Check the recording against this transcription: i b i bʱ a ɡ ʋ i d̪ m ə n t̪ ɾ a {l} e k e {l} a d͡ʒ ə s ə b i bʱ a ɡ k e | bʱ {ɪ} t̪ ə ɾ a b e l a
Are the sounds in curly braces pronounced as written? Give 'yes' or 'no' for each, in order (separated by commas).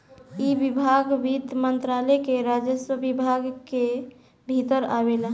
yes, no, no